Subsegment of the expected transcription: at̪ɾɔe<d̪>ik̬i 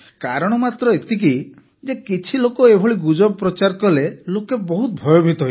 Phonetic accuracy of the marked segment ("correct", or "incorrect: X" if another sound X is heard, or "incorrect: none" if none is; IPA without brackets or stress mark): incorrect: t̪